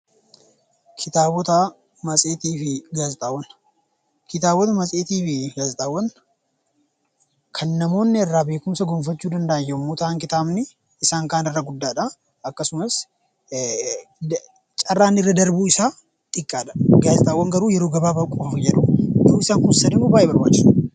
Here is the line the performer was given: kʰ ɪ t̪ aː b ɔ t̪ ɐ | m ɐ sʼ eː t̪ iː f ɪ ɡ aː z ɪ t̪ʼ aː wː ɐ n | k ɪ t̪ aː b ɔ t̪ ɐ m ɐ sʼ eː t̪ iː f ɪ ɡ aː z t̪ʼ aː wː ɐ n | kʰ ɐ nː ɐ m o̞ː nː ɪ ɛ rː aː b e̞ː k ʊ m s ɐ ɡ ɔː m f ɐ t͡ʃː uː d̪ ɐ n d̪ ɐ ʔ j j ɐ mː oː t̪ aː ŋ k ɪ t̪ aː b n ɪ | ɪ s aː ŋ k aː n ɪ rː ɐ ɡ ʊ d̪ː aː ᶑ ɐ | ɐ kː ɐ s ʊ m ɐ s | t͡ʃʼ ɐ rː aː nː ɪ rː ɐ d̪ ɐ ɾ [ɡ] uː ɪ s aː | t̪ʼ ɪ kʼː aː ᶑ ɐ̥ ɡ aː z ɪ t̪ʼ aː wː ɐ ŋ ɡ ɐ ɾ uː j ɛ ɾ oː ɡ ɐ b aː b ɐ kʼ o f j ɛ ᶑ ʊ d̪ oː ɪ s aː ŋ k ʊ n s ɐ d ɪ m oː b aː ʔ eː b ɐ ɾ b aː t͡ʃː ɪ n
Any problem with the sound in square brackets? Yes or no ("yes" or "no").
yes